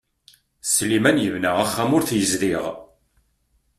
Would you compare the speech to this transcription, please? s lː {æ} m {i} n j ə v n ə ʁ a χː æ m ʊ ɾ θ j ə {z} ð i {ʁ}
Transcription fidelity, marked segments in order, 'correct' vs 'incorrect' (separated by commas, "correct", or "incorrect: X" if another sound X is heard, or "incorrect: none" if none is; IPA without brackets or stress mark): incorrect: i, incorrect: æ, correct, correct